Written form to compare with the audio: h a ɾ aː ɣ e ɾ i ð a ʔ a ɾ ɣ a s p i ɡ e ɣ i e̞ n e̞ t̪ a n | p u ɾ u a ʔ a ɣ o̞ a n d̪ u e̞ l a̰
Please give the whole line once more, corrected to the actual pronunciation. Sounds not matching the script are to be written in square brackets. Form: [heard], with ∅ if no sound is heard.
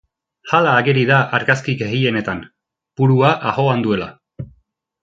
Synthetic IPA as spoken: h a [l] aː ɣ e ɾ i ð a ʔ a ɾ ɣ a s [k] i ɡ e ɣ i e̞ n e̞ t̪ a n | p u ɾ u a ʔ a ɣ o̞ a n d̪ u e̞ l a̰